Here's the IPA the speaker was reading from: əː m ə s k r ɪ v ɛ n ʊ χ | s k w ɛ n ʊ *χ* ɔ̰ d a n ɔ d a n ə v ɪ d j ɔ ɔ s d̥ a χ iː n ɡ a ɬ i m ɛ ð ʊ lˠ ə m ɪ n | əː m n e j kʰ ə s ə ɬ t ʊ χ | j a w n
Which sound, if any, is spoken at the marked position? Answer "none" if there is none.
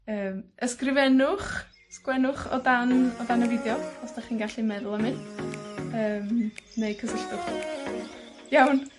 χ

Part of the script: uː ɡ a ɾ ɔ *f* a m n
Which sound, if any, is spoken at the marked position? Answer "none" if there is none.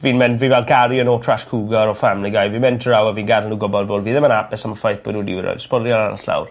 f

